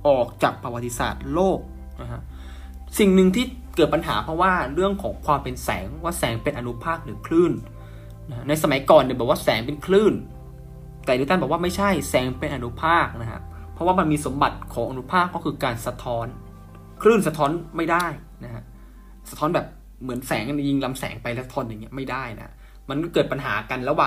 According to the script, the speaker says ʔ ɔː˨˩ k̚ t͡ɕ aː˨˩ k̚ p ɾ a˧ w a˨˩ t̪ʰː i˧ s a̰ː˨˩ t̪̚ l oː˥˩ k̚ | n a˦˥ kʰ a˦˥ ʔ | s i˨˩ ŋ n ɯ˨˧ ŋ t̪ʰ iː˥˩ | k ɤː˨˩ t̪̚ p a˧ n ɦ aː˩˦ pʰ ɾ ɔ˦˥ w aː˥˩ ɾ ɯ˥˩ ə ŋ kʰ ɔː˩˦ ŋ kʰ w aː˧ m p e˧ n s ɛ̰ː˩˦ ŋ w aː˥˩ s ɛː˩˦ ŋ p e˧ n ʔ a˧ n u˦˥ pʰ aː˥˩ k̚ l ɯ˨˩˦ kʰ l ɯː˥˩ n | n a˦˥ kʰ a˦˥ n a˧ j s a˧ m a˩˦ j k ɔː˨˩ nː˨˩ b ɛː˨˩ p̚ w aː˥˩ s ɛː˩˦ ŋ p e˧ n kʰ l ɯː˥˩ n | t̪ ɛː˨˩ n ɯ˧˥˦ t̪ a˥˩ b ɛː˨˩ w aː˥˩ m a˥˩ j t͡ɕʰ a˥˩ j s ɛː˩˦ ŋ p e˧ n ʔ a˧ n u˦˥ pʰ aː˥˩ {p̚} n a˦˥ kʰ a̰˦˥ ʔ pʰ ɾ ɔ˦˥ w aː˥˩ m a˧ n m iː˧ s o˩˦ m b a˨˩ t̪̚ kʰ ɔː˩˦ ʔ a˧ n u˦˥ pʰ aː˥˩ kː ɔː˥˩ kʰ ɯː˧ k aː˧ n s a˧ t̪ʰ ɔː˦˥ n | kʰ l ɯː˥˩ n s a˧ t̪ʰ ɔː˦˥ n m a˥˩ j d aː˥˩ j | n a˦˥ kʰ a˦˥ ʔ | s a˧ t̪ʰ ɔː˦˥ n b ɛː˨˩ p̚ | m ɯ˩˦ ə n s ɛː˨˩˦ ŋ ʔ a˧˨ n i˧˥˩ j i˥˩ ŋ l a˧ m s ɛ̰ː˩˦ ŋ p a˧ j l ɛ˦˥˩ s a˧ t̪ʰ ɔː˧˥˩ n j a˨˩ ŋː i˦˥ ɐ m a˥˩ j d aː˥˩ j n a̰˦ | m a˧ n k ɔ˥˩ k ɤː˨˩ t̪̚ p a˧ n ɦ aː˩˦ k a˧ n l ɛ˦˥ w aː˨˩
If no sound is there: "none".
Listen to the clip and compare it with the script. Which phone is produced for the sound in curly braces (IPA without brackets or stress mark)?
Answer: k̚